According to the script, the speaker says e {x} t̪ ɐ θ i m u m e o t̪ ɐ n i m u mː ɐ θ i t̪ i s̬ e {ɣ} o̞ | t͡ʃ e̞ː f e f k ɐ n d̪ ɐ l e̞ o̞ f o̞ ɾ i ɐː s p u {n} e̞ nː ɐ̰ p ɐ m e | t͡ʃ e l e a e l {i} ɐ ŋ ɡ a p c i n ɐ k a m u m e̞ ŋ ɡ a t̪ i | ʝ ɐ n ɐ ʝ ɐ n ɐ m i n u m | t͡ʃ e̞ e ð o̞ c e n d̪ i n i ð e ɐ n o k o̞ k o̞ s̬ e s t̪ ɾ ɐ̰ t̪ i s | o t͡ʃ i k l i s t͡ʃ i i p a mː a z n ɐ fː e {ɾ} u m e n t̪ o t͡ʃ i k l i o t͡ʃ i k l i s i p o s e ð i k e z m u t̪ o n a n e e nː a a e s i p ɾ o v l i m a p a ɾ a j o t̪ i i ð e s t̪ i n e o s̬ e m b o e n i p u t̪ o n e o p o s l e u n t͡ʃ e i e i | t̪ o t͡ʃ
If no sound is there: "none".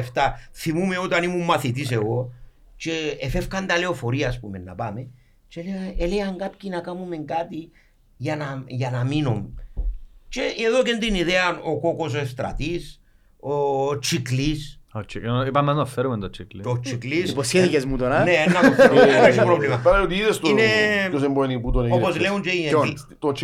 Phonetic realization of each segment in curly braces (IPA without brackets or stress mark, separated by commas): f, ɣ, m, e, ɾ